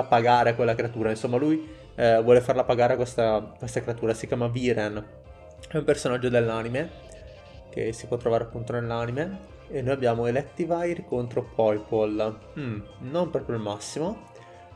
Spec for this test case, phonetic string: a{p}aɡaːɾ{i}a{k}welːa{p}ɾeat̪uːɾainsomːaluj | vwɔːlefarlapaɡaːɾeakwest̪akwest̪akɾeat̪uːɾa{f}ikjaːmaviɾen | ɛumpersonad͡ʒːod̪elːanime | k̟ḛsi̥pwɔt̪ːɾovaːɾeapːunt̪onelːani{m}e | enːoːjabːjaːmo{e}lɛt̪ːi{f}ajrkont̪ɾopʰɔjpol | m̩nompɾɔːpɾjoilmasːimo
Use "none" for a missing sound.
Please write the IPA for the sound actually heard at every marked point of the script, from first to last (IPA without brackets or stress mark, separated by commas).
p, e, k, k, s, m, e, v